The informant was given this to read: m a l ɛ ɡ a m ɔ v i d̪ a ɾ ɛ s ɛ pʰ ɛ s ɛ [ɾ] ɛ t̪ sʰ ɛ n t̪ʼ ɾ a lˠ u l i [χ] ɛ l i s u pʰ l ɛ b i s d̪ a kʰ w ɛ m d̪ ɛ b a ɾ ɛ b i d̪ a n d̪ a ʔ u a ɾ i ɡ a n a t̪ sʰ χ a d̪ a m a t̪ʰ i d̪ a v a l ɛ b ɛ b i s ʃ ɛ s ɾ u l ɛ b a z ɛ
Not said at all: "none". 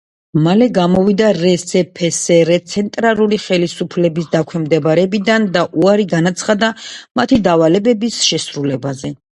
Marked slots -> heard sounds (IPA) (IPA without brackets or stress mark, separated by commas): ɾ, χ